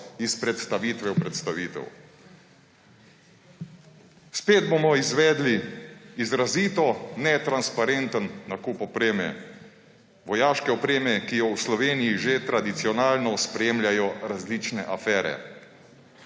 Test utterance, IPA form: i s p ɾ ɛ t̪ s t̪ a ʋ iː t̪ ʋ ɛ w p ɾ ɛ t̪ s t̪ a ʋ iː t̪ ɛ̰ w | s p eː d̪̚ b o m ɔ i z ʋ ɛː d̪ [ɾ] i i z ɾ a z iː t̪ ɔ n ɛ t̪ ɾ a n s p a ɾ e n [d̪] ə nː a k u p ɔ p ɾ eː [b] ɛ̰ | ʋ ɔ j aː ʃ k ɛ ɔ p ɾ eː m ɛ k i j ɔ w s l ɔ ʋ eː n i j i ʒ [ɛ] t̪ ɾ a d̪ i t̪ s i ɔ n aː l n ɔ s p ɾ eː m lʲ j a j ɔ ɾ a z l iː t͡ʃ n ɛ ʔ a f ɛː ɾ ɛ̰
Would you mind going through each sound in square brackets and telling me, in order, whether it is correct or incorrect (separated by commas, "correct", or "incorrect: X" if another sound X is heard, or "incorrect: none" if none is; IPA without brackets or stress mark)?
incorrect: l, incorrect: t̪, incorrect: m, incorrect: e